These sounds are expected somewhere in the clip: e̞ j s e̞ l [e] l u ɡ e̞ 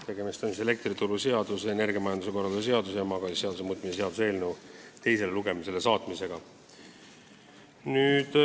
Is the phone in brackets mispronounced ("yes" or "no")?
no